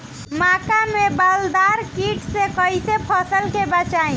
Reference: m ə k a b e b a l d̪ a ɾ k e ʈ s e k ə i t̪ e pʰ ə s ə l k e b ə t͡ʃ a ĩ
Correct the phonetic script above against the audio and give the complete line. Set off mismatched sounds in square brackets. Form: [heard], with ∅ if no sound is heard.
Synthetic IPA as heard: m [a] k a [m] e b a l d̪ a ɾ k [i] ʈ s e k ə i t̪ e pʰ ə s ə l k e b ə t͡ʃ a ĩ